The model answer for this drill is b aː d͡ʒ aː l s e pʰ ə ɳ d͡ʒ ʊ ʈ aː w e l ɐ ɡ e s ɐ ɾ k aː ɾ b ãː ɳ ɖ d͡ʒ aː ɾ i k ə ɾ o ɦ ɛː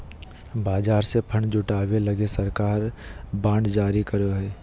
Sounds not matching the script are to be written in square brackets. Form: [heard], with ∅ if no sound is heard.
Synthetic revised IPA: b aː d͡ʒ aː [ɾ] s e pʰ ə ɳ d͡ʒ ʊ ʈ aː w e l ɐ ɡ e s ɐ ɾ k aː ɾ b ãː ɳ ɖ d͡ʒ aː ɾ i k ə ɾ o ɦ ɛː